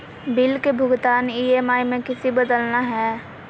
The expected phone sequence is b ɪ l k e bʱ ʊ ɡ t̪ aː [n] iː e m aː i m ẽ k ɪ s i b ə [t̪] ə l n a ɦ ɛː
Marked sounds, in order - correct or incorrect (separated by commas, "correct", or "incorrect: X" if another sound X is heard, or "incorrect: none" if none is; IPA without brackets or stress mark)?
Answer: correct, incorrect: d̪